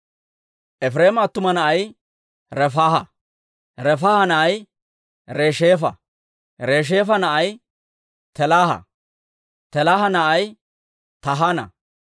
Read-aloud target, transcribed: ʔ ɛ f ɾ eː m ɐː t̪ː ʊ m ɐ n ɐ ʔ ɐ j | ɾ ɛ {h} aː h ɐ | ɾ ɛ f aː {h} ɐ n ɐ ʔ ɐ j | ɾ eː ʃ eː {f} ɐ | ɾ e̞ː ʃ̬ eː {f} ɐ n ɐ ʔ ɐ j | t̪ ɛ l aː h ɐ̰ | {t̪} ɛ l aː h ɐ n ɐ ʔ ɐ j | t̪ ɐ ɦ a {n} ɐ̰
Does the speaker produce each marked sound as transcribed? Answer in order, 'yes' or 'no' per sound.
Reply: no, yes, yes, yes, yes, yes

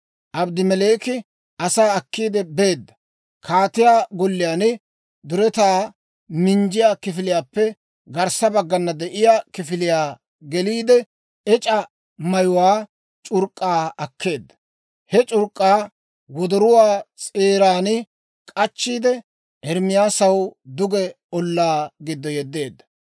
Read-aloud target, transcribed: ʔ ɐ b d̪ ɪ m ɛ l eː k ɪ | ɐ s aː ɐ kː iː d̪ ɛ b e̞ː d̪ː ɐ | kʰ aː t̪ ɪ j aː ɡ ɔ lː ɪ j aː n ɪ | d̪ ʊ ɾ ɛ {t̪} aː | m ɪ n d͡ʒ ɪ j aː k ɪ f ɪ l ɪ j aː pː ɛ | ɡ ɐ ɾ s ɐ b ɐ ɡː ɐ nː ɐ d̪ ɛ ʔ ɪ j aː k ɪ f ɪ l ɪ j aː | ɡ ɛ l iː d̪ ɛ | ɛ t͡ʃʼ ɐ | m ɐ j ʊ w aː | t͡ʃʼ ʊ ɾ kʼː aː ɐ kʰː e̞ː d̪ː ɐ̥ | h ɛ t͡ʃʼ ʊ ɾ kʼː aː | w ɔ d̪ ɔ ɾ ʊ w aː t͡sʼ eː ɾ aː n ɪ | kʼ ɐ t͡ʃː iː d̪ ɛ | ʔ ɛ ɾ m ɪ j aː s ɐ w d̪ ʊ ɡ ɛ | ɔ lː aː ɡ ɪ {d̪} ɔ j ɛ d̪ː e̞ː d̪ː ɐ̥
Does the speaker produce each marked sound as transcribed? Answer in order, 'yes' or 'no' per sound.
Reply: yes, no

